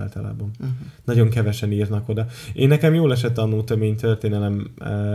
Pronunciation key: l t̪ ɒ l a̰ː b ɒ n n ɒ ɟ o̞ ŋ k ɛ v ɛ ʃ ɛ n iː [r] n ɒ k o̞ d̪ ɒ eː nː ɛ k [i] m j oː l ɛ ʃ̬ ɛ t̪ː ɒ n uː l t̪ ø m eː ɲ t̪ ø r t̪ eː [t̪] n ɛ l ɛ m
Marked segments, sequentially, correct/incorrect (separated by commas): correct, incorrect, incorrect